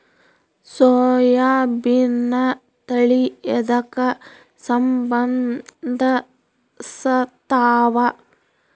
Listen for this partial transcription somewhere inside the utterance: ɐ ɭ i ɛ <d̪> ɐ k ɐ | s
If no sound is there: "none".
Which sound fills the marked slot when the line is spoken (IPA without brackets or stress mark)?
d̪